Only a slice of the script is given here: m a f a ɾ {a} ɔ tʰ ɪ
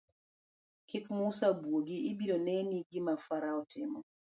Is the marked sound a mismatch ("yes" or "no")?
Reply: no